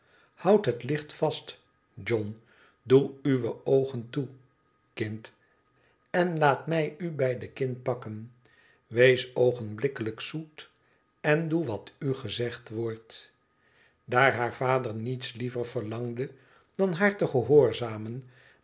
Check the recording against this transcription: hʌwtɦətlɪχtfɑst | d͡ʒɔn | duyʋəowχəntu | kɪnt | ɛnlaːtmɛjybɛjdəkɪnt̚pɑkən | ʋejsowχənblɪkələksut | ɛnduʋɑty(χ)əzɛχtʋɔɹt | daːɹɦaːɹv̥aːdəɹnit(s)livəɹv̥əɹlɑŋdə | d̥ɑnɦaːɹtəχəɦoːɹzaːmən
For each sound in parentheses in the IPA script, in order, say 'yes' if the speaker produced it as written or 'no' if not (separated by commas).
yes, yes